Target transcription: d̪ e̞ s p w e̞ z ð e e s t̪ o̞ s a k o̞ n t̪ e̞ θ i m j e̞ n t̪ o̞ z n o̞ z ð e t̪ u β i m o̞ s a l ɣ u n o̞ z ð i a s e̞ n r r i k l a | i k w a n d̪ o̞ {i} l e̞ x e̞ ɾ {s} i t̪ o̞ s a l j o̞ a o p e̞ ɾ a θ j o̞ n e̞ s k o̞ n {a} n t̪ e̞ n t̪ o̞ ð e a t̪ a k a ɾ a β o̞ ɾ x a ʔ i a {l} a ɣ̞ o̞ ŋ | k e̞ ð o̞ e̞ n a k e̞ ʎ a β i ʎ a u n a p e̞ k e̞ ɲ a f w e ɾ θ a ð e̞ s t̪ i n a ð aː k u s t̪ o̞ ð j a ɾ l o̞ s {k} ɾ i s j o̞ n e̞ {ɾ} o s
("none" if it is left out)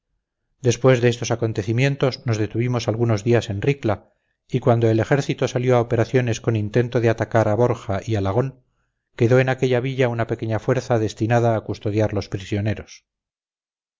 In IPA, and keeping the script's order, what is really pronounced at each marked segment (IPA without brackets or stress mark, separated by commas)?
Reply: e, θ, i, l, p, ɾ